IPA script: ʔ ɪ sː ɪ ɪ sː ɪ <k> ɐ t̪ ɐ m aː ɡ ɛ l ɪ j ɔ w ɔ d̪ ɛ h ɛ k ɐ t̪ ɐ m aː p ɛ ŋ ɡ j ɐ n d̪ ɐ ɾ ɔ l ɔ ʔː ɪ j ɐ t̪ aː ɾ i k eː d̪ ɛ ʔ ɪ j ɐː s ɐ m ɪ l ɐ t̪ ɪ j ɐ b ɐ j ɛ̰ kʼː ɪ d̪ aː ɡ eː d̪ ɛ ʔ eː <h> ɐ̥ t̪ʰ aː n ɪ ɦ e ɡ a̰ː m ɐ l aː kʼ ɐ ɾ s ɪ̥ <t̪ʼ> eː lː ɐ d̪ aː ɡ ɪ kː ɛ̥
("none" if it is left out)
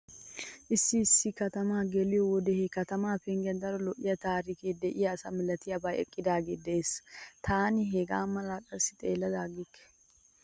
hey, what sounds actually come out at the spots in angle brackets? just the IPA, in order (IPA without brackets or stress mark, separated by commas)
k, s, t̪ʼ